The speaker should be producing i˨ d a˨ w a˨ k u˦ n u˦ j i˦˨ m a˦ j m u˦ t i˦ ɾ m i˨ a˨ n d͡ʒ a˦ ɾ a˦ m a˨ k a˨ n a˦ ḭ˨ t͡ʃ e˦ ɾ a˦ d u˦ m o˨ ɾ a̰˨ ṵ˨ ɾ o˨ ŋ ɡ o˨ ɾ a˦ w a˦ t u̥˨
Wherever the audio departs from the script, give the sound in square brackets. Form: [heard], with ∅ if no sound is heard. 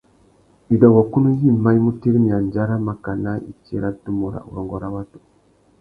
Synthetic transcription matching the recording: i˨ d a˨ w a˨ k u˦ n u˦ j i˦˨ m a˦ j m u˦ t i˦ ɾ m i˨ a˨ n d͡ʒ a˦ ɾ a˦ m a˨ k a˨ n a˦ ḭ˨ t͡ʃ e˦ ɾ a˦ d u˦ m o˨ ɾ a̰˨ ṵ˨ ɾ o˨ ŋ ɡ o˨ ɾ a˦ w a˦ t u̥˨